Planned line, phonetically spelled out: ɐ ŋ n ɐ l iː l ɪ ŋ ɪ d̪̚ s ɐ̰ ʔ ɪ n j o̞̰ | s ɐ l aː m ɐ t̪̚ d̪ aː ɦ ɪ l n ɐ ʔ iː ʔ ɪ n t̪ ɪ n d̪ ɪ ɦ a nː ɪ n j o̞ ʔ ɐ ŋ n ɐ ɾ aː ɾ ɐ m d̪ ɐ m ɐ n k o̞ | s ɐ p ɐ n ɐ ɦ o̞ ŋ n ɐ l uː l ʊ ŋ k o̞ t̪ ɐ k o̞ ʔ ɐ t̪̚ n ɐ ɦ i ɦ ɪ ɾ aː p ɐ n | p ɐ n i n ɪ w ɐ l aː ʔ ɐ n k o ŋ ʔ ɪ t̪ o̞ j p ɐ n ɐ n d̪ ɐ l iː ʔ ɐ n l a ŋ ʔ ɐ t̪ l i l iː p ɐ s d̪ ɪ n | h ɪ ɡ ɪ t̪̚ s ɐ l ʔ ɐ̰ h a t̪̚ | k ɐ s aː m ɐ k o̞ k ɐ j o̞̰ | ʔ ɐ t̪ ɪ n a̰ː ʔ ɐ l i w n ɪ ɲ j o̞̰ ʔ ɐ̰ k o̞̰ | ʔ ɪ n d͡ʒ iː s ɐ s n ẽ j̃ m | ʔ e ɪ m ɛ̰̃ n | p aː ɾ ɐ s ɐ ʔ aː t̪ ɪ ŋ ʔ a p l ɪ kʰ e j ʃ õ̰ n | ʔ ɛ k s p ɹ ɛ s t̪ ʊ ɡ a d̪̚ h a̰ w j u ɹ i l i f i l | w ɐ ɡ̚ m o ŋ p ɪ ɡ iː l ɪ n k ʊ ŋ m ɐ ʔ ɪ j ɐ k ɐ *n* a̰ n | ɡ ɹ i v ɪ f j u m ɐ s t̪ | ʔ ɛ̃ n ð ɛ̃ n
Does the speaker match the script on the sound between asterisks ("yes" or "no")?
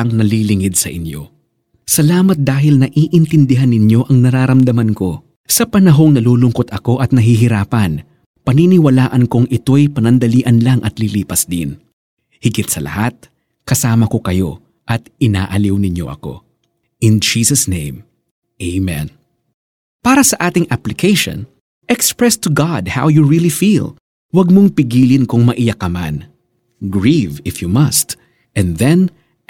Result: no